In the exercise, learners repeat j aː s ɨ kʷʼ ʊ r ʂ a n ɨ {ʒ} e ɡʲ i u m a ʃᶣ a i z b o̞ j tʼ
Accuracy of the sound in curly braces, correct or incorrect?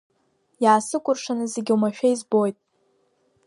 incorrect